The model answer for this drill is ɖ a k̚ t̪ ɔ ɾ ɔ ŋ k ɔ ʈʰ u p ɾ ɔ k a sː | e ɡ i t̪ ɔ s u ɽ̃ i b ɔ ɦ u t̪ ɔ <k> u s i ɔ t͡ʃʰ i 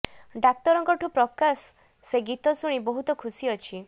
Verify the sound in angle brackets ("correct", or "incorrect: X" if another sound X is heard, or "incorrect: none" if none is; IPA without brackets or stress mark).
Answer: incorrect: kʰ